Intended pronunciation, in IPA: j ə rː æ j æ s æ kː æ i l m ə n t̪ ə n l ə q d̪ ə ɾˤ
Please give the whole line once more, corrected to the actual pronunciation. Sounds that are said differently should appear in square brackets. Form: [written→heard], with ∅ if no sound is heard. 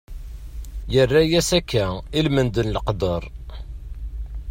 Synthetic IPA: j ə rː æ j æ s æ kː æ i l m ə n [t̪→d̪] ə n l ə q d̪ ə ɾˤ